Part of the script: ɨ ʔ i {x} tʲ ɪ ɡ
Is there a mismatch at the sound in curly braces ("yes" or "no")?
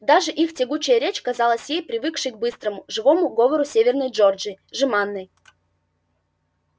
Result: no